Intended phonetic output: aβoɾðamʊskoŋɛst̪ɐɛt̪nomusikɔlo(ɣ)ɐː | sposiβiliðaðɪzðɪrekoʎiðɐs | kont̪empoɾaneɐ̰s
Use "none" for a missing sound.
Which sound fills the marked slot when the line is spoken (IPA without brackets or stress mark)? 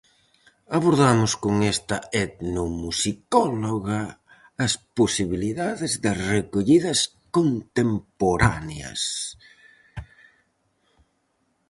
ɣ